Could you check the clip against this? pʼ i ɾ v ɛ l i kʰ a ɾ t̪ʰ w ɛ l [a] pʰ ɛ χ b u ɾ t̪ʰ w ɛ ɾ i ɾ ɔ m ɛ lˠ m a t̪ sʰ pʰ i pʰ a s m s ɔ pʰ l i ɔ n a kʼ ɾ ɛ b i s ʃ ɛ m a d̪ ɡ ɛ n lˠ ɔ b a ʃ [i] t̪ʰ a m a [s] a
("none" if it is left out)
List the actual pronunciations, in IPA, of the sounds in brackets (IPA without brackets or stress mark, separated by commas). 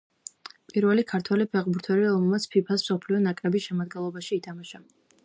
i, iː, ʃ